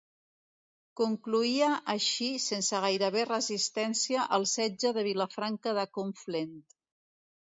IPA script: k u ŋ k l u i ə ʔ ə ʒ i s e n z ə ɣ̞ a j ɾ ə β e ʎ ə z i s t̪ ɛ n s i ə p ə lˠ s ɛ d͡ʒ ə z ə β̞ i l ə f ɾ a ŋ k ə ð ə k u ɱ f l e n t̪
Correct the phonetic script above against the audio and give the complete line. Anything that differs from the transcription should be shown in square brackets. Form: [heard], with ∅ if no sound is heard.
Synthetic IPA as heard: k u ŋ k l u i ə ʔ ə [ʃ] i s e n [s] ə ɣ̞ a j ɾ ə β e [r] ə z i s t̪ ɛ n s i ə [ʔ] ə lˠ s ɛ d͡ʒ ə [ð] ə β̞ i l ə f ɾ a ŋ k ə ð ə k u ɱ f l e n t̪